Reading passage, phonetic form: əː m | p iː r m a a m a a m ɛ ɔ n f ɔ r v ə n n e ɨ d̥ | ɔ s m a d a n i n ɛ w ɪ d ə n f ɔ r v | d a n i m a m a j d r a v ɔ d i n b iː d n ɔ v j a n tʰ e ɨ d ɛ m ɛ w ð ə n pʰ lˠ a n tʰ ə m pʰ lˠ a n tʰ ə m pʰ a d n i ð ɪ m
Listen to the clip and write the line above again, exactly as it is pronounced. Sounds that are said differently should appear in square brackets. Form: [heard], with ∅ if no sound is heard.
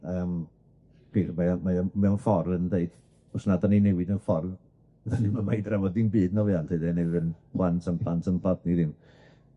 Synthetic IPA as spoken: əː m | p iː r m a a m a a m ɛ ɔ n f ɔ r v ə n [d] e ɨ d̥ | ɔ s [n] a d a n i n ɛ w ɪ d ə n f ɔ r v | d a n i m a m a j d r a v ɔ d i n b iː d n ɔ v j a n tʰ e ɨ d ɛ [n] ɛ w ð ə n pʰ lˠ a n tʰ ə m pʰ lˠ a n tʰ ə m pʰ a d n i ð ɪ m